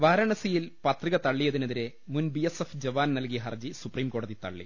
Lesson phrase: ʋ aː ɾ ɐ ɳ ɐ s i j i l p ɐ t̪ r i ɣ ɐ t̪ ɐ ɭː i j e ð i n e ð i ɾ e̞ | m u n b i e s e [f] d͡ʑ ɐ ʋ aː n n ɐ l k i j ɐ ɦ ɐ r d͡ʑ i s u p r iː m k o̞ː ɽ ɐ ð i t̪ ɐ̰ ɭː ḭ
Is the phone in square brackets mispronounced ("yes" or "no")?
no